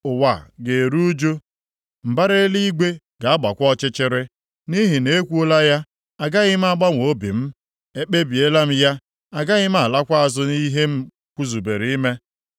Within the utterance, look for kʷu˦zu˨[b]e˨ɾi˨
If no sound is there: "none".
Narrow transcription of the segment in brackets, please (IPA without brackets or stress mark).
b